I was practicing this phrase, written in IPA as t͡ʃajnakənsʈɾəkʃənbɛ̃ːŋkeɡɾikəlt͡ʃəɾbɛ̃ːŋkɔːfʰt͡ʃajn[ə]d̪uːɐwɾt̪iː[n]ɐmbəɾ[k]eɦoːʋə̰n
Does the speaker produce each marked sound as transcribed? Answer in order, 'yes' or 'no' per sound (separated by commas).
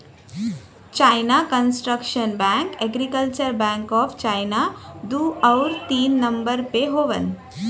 no, no, no